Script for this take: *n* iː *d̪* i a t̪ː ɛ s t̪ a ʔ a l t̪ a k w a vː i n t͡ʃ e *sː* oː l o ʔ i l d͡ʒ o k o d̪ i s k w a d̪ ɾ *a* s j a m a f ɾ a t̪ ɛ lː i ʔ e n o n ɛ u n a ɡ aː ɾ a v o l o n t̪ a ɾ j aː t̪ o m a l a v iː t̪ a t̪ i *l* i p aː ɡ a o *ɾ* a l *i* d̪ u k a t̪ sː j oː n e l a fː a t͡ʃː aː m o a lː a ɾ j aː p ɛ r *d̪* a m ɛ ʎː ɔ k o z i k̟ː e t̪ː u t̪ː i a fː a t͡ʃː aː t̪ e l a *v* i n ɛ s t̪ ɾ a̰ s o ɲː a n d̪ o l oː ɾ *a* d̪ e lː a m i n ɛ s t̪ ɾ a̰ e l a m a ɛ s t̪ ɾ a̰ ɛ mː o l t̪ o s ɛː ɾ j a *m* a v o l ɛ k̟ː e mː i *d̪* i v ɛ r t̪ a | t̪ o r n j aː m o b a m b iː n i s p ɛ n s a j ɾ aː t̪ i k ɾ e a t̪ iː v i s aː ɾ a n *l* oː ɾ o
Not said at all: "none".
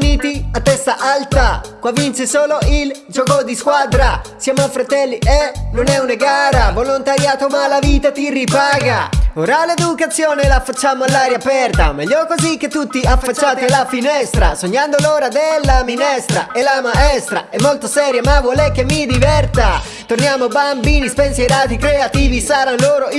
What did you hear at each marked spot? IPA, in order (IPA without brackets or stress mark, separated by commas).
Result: n, t̪, s, a, r, ɾ, e, t̪, f, a, m, d̪, l